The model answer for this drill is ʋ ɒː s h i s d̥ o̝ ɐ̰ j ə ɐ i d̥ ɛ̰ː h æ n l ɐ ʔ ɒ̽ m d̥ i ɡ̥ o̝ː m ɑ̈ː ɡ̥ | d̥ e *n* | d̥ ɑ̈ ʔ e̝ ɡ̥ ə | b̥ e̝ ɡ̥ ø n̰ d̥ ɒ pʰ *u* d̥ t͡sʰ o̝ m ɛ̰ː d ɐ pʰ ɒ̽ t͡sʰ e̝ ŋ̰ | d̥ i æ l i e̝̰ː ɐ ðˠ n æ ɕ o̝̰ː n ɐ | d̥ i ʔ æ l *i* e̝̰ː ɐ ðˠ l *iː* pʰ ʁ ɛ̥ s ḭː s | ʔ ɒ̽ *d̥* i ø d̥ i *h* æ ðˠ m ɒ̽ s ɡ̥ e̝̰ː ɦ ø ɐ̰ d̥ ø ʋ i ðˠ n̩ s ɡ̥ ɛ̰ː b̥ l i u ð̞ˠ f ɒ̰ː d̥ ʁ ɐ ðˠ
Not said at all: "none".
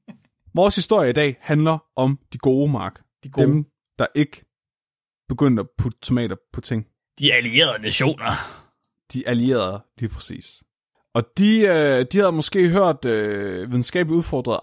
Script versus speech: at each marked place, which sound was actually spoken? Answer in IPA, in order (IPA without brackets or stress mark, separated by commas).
m, u, i, iː, d̥, h